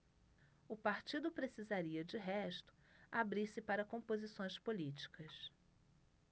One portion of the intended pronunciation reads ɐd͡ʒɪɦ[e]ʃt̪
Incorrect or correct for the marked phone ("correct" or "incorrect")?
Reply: incorrect